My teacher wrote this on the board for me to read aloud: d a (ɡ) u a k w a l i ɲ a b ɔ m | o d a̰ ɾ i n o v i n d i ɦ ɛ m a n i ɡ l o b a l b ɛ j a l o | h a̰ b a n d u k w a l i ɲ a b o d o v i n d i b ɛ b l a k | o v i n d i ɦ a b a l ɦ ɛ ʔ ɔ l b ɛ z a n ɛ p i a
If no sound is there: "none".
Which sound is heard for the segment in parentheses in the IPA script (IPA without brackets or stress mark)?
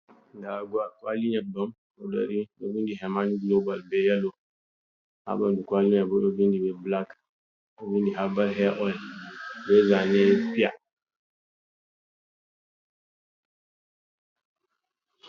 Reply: ɡ